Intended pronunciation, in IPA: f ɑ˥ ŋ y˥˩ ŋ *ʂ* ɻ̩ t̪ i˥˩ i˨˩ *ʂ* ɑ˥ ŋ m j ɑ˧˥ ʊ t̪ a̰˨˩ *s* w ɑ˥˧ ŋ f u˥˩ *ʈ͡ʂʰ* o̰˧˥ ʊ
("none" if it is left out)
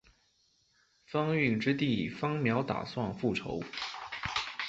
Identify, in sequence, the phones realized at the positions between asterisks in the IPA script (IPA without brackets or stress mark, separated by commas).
ʈ͡ʂ, f, s, ʈ͡ʂʰ